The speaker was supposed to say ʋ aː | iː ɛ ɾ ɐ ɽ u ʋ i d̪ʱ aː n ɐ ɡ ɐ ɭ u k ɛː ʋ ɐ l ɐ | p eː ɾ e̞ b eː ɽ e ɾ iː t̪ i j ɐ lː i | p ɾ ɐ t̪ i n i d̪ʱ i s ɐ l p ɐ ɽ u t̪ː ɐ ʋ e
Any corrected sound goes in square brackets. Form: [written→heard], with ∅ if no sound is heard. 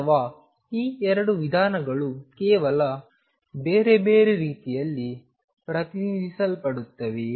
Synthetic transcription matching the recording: ʋ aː | iː ɛ ɾ ɐ ɽ u ʋ i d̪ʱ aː n ɐ ɡ ɐ ɭ u k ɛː ʋ ɐ l ɐ | [p→b] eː ɾ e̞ b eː [ɽ→ɾ] e ɾ iː t̪ i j ɐ lː i | p ɾ ɐ t̪ i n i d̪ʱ i s ɐ l p ɐ ɽ u t̪ː ɐ ʋ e